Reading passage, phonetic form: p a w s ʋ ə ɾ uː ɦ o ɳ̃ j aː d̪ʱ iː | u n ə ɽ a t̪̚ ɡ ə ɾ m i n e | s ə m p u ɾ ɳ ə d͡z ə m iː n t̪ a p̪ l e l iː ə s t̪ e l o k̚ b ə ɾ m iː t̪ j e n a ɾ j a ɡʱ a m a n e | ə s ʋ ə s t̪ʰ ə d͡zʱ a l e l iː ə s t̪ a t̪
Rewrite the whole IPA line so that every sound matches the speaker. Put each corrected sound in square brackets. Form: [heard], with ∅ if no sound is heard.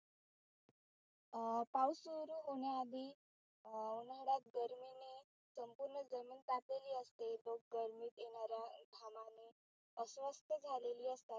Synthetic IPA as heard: p a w s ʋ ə ɾ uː ɦ o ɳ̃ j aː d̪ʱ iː | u n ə ɽ a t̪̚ ɡ ə ɾ m i n e | s ə m p u ɾ ɳ ə d͡z ə m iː n t̪ a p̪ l e l iː ə s t̪ e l o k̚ [ɡ] ə ɾ m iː t̪ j e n a ɾ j a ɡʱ a m a n e | ə s ʋ ə s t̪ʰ ə d͡zʱ a l e l iː ə s t̪ a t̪